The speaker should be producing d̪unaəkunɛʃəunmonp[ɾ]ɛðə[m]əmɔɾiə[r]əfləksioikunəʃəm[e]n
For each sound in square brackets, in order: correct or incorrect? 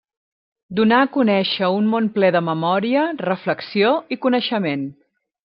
incorrect: l, correct, correct, correct

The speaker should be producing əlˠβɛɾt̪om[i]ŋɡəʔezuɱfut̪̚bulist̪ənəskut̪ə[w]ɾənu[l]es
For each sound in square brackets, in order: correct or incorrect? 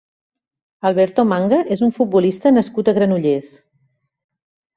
incorrect: a, incorrect: ɣ, incorrect: ʎ

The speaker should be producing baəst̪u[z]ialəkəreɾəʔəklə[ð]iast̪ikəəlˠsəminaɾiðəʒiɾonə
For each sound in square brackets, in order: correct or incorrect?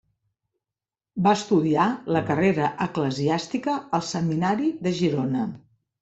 incorrect: ð, incorrect: z

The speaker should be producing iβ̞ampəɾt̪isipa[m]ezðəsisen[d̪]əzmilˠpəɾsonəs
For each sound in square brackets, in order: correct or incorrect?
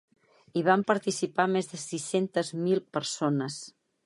correct, incorrect: t̪

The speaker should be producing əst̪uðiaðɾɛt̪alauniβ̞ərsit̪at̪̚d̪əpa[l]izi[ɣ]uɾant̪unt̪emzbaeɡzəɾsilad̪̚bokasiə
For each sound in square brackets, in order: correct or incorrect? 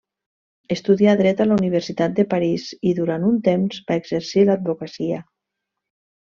incorrect: ɾ, incorrect: ð

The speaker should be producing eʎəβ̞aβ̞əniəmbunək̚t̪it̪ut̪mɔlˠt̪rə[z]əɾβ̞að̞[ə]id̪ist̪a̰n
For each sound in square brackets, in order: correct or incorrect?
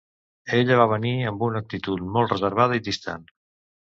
correct, correct

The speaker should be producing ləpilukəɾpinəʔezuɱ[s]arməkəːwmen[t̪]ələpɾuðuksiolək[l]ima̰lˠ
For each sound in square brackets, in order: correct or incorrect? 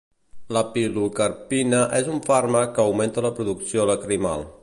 incorrect: f, correct, incorrect: ɾ

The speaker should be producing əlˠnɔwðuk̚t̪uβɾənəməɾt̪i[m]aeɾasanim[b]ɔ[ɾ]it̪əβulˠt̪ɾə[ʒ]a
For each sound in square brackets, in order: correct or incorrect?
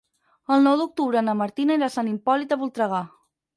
incorrect: n, incorrect: p, incorrect: l, incorrect: ɣ

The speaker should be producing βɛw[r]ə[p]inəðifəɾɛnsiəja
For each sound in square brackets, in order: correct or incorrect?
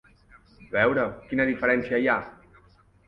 incorrect: ɾ, incorrect: k

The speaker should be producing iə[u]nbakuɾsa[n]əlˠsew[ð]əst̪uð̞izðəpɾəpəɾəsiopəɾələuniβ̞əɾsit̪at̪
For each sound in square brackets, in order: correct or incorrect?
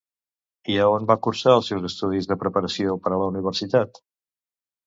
incorrect: o, incorrect: none, incorrect: z

